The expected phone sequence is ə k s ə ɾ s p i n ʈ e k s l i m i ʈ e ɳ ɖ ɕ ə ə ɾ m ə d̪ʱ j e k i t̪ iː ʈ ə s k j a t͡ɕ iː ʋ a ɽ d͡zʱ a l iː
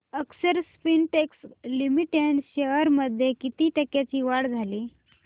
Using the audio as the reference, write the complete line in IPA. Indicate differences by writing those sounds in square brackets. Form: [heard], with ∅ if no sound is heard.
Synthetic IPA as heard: ə k s ə ɾ s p i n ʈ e k s l i m i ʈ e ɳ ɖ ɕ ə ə ɾ m ə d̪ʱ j e k i t̪ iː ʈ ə [∅] k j a t͡ɕ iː ʋ a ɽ d͡zʱ a l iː